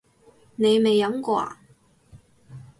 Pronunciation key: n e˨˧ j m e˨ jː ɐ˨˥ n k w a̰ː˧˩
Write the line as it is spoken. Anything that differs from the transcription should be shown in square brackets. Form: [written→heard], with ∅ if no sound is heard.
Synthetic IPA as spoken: n e˨˧ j m e˨ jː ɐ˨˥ [n→m] k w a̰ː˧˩